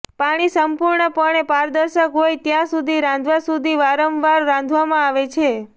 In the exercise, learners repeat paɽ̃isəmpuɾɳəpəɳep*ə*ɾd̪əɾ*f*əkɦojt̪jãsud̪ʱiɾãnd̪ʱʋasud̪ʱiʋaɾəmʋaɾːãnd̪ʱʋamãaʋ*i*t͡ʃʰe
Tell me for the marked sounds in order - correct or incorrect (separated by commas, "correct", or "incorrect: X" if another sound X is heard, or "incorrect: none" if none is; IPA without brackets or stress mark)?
incorrect: a, incorrect: ʃ, incorrect: e